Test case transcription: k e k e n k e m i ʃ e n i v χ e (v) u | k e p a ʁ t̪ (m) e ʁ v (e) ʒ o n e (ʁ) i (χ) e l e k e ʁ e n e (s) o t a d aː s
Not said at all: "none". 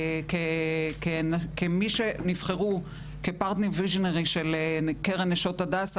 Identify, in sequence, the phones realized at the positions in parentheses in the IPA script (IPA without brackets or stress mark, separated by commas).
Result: ʁ, n, i, ʁ, ʃ, ʃ